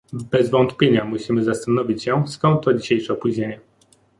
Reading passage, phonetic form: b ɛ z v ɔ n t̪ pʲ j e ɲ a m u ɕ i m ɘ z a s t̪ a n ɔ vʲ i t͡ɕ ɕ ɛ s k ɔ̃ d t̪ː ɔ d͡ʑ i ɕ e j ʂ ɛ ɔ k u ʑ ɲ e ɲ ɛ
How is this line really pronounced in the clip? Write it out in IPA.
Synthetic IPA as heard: b ɛ z v ɔ n t̪ pʲ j e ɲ a m u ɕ i m ɘ z a s t̪ a n ɔ vʲ i t͡ɕ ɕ ɛ s k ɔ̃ n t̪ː ɔ d͡ʑ i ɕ e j ʂ ɛ ɔ p u ʑ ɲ e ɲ ɛ